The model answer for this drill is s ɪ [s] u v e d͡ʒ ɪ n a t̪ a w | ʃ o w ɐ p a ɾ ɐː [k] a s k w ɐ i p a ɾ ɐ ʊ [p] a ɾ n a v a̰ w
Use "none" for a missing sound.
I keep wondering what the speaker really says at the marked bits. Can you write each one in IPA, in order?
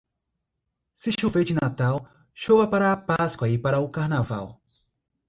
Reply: ʃ, p, k

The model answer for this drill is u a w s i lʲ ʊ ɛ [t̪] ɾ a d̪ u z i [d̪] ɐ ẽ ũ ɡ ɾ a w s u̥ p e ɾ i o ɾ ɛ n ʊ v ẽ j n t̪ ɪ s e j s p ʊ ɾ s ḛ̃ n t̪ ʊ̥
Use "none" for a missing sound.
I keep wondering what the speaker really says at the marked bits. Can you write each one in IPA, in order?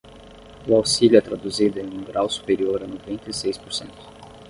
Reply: t̪, d̪

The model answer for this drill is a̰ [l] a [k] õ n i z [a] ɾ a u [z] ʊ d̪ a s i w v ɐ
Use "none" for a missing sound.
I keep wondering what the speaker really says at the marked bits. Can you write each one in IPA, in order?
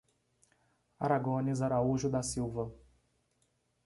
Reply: ɾ, ɡ, a, ʒ

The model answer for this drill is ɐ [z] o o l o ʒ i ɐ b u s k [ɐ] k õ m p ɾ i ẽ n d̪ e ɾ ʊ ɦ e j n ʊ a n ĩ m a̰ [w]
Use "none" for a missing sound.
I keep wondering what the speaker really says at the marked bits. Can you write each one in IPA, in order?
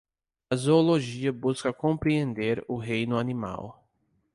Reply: z, ɐ, w

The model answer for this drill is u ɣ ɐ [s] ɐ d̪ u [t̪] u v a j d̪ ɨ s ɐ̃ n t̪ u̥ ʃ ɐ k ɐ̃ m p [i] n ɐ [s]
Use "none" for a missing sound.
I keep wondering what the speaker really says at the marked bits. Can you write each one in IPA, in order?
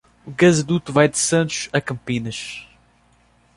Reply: z, t̪, i, ʃ

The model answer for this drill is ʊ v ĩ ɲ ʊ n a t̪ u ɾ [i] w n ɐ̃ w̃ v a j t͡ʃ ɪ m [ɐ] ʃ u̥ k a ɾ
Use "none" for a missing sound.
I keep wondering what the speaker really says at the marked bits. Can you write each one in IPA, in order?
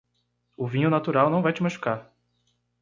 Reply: a, a

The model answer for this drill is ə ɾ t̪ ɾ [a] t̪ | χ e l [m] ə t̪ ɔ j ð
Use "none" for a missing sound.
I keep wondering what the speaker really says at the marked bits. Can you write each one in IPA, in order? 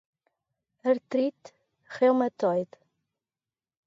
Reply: i, m

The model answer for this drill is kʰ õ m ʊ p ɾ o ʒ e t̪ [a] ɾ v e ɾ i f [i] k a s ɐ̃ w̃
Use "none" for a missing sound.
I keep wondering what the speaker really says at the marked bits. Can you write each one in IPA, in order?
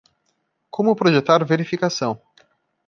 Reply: a, i

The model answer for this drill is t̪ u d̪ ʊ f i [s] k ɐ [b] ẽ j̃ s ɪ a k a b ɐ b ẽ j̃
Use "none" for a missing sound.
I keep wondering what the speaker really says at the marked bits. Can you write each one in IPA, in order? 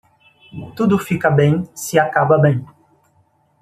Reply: none, b

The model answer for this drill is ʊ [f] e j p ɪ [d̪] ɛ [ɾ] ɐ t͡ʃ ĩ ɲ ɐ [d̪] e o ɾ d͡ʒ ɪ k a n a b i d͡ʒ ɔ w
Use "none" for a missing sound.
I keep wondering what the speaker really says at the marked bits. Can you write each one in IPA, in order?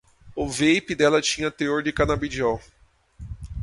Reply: v, d̪, l, t̪

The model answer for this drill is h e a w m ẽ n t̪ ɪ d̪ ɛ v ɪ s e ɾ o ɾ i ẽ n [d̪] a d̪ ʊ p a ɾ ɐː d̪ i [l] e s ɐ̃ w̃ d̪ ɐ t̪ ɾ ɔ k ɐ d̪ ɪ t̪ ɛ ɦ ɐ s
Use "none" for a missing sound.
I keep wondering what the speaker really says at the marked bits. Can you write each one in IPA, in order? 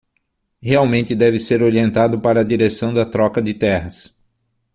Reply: t̪, ɾ

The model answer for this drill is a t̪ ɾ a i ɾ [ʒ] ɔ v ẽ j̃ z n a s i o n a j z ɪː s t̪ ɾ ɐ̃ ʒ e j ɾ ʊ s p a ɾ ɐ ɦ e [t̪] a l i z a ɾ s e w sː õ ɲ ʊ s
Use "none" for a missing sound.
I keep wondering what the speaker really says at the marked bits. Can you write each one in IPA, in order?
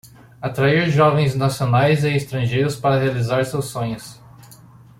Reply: ʒ, none

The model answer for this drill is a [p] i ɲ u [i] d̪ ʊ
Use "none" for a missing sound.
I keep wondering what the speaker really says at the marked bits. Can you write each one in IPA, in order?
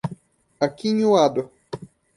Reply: k, a

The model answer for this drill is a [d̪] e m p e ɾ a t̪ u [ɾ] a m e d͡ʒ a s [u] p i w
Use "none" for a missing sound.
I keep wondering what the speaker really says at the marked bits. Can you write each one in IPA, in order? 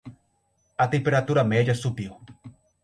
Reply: t̪, ɾ, u

